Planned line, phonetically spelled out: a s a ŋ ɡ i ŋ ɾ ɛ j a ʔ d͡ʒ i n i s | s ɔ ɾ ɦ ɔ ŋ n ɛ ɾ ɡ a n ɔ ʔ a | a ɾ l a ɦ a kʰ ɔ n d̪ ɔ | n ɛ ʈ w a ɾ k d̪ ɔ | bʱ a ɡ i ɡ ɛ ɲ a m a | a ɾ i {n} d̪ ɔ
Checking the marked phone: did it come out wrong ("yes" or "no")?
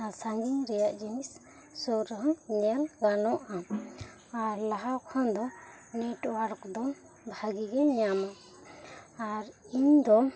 yes